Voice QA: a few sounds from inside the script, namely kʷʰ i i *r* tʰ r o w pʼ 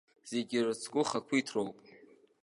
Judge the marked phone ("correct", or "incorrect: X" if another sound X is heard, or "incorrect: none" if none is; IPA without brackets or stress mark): incorrect: none